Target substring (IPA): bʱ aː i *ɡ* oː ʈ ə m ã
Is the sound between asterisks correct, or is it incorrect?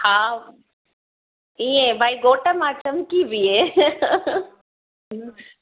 correct